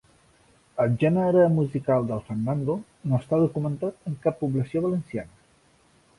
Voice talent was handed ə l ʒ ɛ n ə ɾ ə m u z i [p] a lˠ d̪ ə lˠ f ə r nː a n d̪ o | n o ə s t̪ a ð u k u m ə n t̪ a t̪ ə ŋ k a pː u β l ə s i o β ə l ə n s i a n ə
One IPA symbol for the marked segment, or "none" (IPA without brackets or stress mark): k